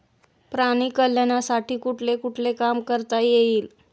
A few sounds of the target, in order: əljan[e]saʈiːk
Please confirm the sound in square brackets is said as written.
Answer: no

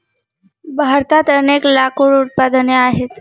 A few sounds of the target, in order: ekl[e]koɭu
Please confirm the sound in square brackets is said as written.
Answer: no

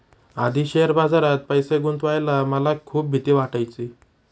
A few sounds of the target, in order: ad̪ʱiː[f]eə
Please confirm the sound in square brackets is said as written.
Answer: no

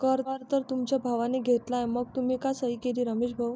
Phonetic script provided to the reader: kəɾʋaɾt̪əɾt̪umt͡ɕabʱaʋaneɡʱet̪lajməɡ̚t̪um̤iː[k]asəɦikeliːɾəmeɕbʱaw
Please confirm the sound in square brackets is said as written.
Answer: yes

